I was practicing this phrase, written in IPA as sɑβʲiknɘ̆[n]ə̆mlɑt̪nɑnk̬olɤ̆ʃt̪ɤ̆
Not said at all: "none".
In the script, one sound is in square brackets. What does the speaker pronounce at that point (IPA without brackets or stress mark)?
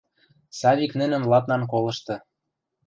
n